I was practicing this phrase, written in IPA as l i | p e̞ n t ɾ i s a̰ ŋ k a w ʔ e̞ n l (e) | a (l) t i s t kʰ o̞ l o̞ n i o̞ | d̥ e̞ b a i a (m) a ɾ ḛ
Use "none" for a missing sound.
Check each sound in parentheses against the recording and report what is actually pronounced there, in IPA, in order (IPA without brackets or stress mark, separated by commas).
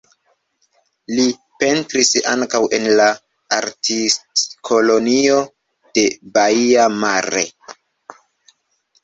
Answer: a, ɾ, m